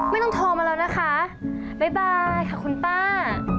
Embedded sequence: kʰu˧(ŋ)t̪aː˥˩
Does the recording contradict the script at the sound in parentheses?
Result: yes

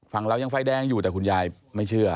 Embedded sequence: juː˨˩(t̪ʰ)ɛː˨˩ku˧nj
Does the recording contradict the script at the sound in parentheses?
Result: yes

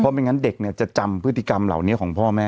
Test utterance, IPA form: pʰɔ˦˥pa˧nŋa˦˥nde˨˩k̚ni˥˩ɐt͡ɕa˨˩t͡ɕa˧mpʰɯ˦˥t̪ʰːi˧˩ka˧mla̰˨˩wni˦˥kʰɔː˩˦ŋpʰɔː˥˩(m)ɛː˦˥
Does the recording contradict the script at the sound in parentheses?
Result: no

